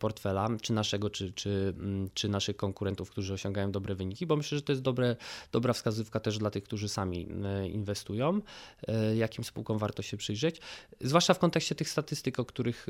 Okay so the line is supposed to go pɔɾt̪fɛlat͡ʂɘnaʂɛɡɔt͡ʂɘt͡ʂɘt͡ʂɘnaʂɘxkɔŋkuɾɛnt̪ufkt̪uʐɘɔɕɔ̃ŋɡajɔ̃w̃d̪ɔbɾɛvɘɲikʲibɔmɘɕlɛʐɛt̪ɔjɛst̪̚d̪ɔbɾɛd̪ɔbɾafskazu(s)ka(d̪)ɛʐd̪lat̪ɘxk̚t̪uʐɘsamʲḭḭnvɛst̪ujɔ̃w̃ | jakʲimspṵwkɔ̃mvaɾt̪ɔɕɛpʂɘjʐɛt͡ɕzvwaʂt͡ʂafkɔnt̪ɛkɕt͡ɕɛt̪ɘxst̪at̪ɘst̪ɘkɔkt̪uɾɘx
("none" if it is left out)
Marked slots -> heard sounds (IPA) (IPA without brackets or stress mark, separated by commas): f, t̪